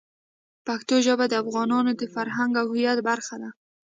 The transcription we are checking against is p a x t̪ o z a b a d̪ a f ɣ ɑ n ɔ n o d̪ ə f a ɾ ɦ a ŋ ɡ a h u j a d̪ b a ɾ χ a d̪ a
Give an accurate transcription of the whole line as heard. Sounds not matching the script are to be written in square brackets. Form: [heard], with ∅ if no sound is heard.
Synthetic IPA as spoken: p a [k] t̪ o [ʒ] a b a d̪ a f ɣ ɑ n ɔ n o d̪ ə f a ɾ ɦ a ŋ ɡ a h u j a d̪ b a ɾ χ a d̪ a

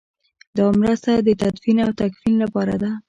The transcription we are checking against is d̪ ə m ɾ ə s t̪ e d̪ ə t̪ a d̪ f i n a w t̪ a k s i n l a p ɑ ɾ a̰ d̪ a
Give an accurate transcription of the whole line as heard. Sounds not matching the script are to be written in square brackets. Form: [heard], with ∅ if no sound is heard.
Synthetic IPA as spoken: d̪ [ɑ] m ɾ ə s t̪ [a] d̪ ə t̪ a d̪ f i n a w t̪ a k [f] i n l a p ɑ ɾ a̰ d̪ a

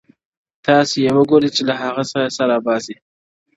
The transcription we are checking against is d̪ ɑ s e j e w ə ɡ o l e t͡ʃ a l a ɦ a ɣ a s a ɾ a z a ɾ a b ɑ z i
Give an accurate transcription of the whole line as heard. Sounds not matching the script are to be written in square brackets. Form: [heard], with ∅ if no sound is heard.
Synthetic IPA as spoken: [t̪] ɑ s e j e w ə ɡ o [ɾ] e t͡ʃ [e] l a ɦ a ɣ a s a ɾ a [s] a ɾ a b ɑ z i

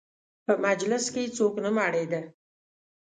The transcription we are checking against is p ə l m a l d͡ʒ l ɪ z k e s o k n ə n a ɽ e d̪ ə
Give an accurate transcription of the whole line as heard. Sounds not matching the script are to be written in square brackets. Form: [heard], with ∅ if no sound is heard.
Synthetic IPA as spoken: p ə [∅] m a [∅] d͡ʒ l ɪ [s] k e [t͡s] o k n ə [m] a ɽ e d̪ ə

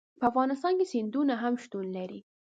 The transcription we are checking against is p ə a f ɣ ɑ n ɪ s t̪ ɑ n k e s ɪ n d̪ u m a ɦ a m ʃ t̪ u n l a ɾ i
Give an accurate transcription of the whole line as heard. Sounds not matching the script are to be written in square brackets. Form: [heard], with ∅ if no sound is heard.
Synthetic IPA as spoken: p ə a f ɣ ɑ n ɪ s t̪ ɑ n k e s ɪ n d̪ u [n] a ɦ a m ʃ t̪ u n l a ɾ i

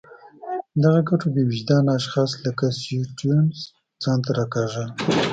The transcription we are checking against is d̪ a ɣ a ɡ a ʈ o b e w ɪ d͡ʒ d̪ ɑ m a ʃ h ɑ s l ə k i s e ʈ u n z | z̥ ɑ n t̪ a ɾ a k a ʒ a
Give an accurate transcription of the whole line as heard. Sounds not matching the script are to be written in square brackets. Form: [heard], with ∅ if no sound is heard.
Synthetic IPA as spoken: d̪ a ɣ a ɡ a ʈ o b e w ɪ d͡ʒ d̪ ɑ [n] a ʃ [x] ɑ s l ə k [a] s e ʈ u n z | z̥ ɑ n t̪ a ɾ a k a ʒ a

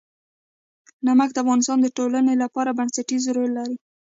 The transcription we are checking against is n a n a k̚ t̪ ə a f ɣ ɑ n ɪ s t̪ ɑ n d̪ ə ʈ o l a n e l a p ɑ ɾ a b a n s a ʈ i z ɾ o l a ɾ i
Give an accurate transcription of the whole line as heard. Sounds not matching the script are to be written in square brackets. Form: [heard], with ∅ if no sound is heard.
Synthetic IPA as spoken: n a [m] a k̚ [d̪] ə a f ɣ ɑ n ɪ s t̪ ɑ n d̪ ə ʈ o l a n e l a p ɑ ɾ a b a n s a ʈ i z ɾ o l a ɾ i

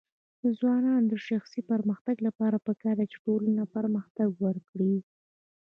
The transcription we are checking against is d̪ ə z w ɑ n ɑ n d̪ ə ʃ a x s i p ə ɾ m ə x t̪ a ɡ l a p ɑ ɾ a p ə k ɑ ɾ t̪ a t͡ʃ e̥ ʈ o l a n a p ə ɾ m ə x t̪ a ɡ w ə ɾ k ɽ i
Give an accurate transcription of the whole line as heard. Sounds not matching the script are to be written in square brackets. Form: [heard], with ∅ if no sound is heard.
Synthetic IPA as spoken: d̪ ə z w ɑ n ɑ n d̪ ə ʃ a x s i p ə ɾ m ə x t̪ a ɡ l a p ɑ ɾ a p ə k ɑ ɾ [d̪] a t͡ʃ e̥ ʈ o l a n a p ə ɾ m ə x t̪ a ɡ w ə ɾ k ɽ i

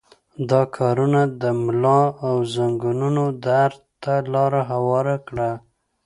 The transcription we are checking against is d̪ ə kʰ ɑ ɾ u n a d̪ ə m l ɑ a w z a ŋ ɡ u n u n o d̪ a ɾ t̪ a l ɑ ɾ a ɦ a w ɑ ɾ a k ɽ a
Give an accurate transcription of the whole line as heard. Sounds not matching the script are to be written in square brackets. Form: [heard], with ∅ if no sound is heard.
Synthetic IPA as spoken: d̪ [ɑ] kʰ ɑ ɾ u n a d̪ ə m l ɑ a w z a ŋ ɡ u n u n o d̪ a ɾ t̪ a l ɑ ɾ a ɦ a w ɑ ɾ a k ɽ a

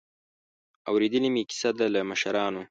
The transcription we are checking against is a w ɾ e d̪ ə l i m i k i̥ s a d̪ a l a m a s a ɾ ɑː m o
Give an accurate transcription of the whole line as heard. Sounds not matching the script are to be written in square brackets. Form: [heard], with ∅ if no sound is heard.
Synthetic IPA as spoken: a w ɾ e d̪ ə l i m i k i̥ s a d̪ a l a m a [ʃ] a ɾ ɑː [n] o

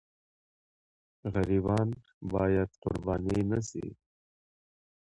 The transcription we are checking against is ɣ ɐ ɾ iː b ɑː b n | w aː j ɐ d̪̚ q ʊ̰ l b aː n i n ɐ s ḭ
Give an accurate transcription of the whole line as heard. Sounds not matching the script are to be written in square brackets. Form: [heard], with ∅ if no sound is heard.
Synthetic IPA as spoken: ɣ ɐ ɾ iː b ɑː [∅] n | [b] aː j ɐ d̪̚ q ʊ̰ [ɾ] b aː n i n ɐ s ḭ

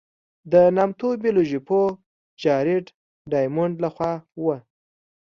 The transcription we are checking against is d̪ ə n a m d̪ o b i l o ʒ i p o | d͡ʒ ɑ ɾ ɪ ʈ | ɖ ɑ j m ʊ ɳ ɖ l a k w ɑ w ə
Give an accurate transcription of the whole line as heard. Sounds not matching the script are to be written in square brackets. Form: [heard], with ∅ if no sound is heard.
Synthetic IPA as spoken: d̪ ə n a m [t̪] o b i l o ʒ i p o | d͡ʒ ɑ ɾ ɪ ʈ | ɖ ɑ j m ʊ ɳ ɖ l a [x] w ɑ w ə

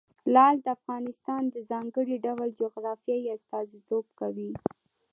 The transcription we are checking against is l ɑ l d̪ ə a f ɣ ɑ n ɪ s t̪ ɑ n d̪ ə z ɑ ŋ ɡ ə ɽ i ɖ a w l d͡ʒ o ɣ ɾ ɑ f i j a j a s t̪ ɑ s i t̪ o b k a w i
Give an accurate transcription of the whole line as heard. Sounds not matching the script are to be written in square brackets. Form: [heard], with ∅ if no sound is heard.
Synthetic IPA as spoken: l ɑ l d̪ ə a f ɣ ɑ n ɪ s t̪ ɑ n d̪ ə z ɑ ŋ ɡ ə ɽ i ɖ a w l d͡ʒ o ɣ ɾ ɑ f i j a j a s t̪ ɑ [z] i t̪ o b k a w i

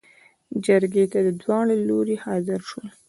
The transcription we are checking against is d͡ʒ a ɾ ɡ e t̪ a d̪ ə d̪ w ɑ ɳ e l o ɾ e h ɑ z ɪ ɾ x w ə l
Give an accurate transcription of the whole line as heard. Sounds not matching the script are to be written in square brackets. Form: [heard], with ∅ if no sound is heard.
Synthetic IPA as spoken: d͡ʒ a ɾ ɡ e t̪ a d̪ ə d̪ w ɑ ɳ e l o ɾ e h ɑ z ɪ ɾ [ʃ] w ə l

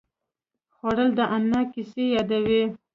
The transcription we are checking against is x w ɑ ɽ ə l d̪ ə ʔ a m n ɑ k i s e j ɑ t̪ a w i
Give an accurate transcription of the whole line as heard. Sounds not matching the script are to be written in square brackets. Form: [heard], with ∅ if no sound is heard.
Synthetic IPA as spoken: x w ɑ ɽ ə l d̪ ə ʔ a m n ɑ k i s e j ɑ [d̪] a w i

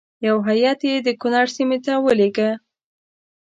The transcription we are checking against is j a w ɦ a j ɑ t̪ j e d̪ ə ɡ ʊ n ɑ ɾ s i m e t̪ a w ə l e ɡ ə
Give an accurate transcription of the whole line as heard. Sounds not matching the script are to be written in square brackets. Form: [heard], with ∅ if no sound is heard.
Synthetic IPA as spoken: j a w ɦ a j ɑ t̪ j e d̪ ə [k] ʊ n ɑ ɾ s i m e t̪ a w ə l e ɡ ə

